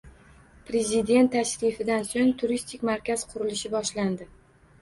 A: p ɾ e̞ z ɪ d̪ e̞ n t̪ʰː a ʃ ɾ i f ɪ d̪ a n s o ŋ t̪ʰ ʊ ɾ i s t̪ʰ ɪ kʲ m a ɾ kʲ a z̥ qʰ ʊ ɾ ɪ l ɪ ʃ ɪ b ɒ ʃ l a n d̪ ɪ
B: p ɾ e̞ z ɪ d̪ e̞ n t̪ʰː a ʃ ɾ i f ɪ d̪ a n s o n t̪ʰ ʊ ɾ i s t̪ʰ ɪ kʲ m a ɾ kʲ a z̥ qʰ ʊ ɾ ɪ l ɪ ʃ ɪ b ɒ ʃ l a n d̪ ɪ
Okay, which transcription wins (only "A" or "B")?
A